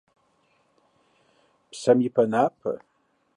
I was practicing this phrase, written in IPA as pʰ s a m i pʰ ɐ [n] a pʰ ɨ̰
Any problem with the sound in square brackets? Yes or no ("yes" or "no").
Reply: no